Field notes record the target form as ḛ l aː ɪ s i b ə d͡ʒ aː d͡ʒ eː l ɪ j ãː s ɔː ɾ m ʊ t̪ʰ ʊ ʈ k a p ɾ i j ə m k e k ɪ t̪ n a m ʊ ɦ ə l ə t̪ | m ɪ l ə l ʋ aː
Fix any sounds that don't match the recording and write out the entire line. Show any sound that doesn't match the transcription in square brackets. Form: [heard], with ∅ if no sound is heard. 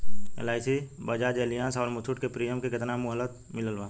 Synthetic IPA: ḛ l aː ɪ s i b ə d͡ʒ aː d͡ʒ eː l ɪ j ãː s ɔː ɾ m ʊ t̪ʰ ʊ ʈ k [e] p ɾ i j ə m k e k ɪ t̪ n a m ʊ ɦ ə l ə t̪ | m ɪ l ə l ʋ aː

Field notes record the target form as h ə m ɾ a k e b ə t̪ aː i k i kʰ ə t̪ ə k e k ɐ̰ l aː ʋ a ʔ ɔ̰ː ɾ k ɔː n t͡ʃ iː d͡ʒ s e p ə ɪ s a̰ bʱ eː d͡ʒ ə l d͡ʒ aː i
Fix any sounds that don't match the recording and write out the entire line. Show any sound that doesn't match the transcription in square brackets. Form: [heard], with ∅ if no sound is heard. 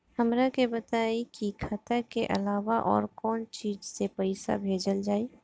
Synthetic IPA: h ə m ɾ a k e b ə t̪ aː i k i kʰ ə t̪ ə k e [ʔ] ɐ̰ l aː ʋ a ʔ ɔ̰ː ɾ k ɔː n t͡ʃ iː d͡ʒ s e p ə ɪ s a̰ bʱ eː d͡ʒ ə l d͡ʒ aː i

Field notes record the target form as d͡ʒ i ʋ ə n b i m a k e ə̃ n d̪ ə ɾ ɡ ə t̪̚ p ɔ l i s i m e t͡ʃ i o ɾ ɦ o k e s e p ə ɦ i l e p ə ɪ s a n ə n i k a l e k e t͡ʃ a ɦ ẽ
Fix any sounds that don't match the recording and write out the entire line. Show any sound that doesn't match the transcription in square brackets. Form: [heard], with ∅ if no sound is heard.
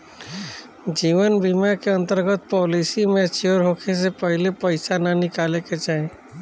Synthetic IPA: d͡ʒ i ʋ ə n b i m a k e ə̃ n [t̪] ə ɾ ɡ ə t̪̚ p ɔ l i s i m e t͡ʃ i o ɾ ɦ o [kʰ] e s e p ə ɦ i l e p ə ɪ s a n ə n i k a l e k e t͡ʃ a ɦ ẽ

